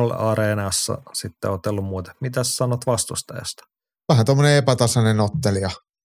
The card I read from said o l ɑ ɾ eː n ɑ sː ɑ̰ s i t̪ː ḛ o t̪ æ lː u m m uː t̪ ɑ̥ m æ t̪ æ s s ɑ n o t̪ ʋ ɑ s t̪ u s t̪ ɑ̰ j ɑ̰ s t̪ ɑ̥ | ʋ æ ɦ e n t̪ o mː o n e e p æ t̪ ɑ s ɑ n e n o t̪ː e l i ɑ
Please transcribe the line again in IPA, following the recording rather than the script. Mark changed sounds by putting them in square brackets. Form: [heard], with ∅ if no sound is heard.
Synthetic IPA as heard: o l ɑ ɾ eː n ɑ sː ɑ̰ s i t̪ː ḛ o t̪ [e] lː u m m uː t̪ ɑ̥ m [i] t̪ æ s s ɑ n o t̪ ʋ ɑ s t̪ u s t̪ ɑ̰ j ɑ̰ s t̪ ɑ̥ | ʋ æ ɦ [æ] n t̪ o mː o n e e p æ t̪ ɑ s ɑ n e n o t̪ː e l i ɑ